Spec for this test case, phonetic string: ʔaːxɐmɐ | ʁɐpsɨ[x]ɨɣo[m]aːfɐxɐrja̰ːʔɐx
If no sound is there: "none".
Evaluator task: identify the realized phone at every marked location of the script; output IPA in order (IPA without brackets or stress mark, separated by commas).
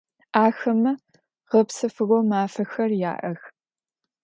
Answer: f, m